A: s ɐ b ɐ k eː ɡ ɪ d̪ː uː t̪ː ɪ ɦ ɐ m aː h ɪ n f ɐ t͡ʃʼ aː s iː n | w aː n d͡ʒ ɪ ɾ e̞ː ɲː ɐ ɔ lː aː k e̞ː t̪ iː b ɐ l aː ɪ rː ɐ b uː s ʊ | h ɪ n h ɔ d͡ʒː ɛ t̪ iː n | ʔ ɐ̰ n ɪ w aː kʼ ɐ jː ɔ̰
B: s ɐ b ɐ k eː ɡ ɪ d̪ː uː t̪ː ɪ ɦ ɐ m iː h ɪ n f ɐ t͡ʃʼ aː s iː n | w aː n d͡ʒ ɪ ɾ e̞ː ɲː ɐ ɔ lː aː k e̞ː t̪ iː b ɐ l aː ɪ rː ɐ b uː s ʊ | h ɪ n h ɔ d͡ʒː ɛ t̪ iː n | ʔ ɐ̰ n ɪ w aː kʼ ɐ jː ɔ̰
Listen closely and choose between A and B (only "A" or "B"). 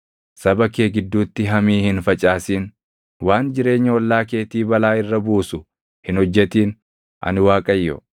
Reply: B